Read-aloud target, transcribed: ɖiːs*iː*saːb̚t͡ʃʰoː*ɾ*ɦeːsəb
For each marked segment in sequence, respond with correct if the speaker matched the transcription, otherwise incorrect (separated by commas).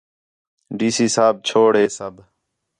correct, incorrect